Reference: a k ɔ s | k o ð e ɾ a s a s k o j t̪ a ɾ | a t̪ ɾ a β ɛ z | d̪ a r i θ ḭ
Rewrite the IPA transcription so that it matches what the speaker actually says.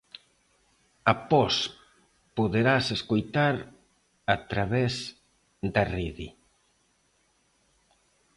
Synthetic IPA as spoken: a p ɔ s | p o ð e ɾ a s e s k o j t̪ a ɾ | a t̪ ɾ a β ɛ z | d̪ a r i ð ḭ